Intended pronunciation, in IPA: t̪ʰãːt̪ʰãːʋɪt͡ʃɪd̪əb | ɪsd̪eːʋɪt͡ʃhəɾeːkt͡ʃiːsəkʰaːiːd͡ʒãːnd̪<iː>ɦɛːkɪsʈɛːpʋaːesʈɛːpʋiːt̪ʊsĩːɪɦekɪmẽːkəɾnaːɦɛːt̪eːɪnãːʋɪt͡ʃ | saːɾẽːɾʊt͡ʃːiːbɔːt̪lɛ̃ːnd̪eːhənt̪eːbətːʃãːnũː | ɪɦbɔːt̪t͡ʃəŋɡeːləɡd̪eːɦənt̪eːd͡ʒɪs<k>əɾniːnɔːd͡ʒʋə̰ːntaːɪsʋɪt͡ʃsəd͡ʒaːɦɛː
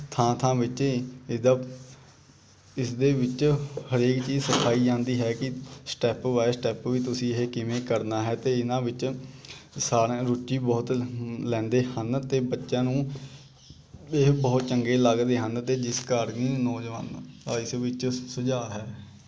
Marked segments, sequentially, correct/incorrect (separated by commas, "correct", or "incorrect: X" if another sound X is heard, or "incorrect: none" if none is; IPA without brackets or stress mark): correct, correct